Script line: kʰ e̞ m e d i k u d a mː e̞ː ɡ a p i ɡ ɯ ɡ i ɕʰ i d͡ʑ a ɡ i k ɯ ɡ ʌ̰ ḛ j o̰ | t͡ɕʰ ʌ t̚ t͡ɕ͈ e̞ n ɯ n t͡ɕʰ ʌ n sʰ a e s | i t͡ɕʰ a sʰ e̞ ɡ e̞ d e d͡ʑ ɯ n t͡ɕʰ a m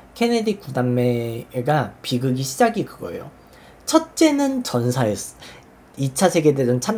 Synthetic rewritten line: kʰ e̞ n e d i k u d a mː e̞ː ɡ a p i ɡ ɯ ɡ i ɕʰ i d͡ʑ a ɡ i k ɯ ɡ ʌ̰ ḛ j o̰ | t͡ɕʰ ʌ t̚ t͡ɕ͈ e̞ n ɯ n t͡ɕ ʌ n sʰ a e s | i t͡ɕʰ a sʰ e̞ ɡ e̞ d e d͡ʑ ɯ n t͡ɕʰ a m